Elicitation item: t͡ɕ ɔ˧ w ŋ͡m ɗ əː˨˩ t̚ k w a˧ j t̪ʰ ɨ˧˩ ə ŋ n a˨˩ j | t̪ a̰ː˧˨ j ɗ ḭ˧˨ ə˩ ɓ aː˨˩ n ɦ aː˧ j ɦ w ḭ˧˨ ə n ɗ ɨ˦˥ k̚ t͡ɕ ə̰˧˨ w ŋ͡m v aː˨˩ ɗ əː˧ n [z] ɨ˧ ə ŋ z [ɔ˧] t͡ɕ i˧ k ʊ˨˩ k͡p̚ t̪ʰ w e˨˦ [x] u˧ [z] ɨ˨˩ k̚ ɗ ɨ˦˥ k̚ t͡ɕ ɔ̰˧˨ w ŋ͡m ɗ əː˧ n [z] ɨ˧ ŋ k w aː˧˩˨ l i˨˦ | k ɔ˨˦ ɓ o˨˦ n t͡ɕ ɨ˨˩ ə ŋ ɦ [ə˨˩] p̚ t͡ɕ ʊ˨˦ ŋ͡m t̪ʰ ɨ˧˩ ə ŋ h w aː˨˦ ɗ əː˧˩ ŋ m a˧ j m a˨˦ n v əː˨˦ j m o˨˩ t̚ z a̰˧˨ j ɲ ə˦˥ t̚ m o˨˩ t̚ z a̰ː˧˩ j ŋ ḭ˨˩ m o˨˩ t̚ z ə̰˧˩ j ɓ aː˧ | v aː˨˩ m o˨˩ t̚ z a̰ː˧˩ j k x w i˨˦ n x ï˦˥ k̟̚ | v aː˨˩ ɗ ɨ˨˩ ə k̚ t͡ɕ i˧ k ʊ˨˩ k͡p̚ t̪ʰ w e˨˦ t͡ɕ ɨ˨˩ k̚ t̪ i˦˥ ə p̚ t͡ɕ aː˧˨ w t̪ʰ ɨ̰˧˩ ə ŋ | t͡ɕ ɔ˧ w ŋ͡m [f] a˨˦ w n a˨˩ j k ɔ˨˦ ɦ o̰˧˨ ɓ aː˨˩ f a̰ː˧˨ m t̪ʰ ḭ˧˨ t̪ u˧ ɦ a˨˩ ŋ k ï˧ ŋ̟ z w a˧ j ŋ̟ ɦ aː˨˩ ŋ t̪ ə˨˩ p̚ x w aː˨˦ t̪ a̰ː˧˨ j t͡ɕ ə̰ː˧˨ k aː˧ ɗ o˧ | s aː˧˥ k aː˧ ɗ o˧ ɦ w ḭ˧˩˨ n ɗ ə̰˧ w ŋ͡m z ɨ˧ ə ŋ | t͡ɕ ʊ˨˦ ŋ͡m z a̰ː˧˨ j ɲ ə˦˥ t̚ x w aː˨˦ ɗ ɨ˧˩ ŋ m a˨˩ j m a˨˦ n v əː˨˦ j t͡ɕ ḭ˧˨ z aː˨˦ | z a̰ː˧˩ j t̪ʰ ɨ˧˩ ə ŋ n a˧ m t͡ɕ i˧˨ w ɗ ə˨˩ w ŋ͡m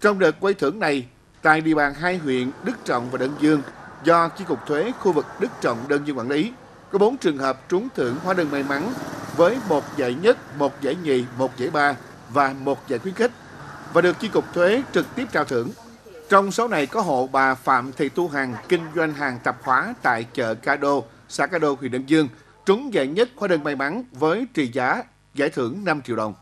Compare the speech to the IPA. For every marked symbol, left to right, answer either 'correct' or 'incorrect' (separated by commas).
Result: correct, correct, correct, incorrect, correct, incorrect, incorrect